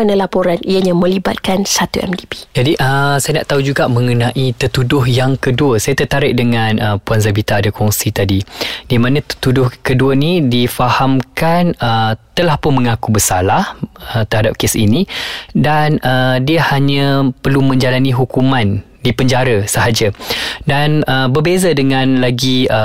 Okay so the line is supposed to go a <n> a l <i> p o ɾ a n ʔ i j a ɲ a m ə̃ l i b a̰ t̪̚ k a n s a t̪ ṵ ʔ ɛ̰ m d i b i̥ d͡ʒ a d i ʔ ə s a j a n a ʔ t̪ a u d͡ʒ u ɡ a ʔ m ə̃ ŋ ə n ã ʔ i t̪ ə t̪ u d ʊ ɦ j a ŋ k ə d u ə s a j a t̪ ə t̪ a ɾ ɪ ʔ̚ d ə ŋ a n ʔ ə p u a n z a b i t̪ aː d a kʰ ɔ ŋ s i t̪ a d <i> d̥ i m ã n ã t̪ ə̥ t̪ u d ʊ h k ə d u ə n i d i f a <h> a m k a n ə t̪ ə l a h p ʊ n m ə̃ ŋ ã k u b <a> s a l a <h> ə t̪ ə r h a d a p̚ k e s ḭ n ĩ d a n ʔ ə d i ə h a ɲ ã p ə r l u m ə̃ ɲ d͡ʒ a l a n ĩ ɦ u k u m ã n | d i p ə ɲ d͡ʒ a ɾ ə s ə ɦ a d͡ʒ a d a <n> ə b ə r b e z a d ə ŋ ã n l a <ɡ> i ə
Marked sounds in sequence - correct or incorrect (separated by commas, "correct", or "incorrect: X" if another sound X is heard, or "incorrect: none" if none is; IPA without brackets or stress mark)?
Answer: correct, incorrect: a, correct, correct, incorrect: ə, correct, correct, correct